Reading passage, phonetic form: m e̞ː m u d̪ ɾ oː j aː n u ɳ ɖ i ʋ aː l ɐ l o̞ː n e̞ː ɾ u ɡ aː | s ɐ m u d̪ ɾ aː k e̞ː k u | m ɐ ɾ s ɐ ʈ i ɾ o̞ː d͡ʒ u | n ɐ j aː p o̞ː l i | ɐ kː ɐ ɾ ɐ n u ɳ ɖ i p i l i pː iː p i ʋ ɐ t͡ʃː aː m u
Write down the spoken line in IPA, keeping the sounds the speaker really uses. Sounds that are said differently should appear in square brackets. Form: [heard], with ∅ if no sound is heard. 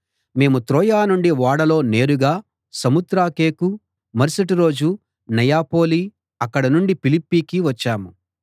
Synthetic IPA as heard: m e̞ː m u [t̪] ɾ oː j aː n u ɳ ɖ i ʋ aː [ɽ] ɐ l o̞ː n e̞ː ɾ u ɡ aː | s ɐ m u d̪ ɾ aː k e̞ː k u | m ɐ ɾ s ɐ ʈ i ɾ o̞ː d͡ʒ u | n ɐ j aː p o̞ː l i | ɐ kː ɐ [ɽ] ɐ n u ɳ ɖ i p i l i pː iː [k] i ʋ ɐ t͡ʃː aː m u